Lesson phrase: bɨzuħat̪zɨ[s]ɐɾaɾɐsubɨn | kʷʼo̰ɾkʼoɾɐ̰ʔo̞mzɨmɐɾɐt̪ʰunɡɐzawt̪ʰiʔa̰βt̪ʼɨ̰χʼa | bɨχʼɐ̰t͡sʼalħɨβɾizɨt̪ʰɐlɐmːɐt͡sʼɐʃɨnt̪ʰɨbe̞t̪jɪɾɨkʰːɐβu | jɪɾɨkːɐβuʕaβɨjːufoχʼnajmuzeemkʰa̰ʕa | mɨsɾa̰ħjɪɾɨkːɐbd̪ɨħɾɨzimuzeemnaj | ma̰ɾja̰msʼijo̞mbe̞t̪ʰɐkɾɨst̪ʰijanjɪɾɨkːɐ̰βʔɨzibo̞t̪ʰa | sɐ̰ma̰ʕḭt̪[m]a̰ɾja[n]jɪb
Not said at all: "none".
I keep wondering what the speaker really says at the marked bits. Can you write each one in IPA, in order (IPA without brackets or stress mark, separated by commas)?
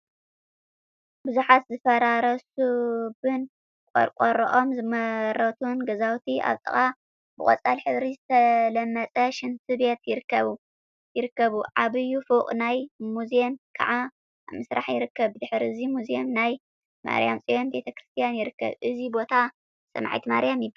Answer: f, m, m